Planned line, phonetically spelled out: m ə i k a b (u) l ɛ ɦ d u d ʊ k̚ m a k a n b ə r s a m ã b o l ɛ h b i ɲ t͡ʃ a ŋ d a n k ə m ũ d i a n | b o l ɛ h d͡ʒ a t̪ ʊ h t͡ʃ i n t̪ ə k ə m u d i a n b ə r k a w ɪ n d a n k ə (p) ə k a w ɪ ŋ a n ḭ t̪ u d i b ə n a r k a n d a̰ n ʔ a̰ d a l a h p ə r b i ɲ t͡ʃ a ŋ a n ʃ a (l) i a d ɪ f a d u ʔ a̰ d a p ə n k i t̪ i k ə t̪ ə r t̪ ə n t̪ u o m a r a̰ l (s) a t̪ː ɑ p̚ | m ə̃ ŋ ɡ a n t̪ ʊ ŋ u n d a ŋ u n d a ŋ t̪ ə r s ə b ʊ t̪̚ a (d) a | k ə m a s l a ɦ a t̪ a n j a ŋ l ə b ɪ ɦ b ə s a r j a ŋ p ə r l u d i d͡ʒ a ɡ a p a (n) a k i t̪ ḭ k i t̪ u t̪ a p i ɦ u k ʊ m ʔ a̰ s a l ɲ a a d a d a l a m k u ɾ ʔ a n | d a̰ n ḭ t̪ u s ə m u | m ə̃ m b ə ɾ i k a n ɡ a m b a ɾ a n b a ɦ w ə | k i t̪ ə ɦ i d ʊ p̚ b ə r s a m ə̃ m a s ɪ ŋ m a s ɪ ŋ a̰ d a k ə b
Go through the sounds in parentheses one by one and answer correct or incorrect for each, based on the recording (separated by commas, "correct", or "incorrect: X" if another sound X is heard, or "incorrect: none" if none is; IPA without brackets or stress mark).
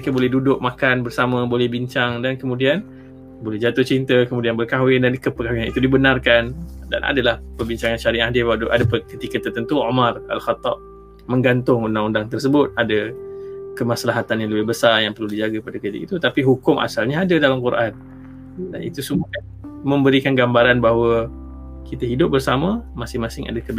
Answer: incorrect: o, correct, incorrect: ɾ, incorrect: x, correct, incorrect: d